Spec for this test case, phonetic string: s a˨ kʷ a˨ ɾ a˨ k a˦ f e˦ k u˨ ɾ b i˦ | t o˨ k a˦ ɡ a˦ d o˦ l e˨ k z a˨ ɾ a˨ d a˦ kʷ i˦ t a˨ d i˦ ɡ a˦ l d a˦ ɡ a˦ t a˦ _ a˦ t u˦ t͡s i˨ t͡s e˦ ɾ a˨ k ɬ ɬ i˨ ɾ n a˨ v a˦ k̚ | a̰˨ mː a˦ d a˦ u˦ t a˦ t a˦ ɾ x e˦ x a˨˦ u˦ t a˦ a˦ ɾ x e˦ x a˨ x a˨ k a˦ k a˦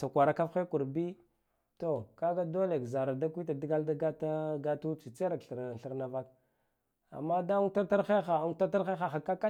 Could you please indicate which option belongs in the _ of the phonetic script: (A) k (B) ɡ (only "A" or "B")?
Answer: B